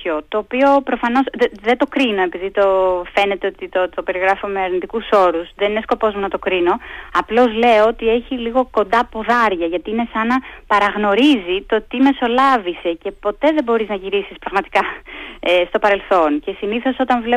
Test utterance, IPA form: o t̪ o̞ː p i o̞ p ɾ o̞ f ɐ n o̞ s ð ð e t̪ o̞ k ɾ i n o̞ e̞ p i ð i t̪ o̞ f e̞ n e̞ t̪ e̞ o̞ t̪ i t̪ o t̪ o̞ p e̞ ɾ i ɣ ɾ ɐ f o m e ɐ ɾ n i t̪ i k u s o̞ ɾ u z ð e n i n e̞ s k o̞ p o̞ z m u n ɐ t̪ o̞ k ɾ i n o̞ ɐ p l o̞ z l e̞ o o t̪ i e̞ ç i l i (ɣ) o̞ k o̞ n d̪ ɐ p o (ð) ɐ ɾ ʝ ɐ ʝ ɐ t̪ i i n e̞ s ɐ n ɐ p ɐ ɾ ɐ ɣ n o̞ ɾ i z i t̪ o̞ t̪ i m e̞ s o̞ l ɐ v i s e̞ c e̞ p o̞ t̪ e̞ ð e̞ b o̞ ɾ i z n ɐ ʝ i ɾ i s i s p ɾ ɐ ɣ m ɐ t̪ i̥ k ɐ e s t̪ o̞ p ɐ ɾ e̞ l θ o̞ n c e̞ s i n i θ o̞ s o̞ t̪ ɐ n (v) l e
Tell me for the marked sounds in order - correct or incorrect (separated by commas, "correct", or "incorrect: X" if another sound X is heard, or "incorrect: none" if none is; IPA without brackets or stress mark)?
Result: correct, correct, correct